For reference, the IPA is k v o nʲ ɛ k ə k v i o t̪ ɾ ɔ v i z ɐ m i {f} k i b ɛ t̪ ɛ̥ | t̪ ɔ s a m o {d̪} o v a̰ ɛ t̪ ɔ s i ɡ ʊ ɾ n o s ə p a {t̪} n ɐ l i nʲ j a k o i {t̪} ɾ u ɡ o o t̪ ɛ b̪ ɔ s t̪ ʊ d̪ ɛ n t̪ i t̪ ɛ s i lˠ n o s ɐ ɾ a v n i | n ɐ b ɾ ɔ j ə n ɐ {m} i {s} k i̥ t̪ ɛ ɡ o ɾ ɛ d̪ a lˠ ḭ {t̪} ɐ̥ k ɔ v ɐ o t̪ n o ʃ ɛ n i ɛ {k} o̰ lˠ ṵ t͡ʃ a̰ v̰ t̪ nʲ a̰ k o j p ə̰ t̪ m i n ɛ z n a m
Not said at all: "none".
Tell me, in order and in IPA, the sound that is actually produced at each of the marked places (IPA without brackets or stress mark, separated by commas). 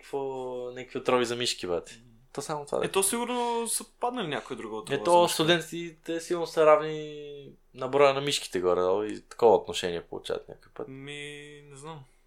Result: ʃ, t̪, d̪, d̪, m, ʃ, t̪, p